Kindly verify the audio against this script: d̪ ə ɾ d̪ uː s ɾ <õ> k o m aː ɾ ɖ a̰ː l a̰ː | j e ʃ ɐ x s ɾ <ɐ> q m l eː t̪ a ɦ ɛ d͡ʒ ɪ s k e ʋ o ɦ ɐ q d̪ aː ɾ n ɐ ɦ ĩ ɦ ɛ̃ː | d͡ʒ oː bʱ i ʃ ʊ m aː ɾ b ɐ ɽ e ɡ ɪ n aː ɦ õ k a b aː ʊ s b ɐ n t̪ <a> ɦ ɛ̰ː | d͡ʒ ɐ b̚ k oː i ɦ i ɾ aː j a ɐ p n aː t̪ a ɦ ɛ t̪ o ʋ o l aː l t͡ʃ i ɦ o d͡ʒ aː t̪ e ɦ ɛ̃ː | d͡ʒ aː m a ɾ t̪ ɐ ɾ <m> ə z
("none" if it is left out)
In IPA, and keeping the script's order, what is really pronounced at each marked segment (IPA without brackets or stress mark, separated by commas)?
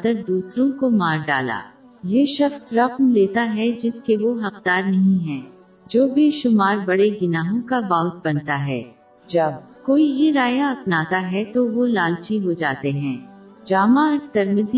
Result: õ, ɐ, a, m